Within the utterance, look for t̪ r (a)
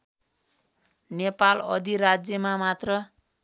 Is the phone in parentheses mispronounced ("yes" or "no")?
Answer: yes